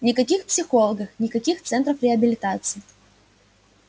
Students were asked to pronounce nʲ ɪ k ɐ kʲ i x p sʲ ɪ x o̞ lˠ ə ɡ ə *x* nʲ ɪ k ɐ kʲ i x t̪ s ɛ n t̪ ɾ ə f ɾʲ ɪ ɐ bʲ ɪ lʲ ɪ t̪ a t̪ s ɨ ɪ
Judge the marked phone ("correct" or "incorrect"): correct